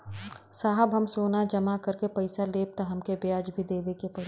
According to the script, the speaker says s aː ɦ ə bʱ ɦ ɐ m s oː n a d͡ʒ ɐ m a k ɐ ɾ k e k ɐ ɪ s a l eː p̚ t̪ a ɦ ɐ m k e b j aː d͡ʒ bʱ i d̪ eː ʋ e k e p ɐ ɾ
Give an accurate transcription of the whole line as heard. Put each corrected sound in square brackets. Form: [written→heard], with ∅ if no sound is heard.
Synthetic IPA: s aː ɦ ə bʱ ɦ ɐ m s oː n a d͡ʒ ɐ m a k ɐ ɾ k e [k→p] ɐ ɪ s a l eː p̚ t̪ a ɦ ɐ m k e b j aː d͡ʒ bʱ i d̪ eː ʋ e k e p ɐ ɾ